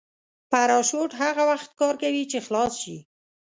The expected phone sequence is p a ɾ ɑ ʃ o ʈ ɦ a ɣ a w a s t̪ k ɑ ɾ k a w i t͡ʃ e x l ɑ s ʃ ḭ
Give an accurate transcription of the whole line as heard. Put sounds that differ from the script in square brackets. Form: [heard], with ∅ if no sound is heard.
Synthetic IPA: p a ɾ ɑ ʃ o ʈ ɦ a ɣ a w a [x] t̪ k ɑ ɾ k a w i t͡ʃ e x l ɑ s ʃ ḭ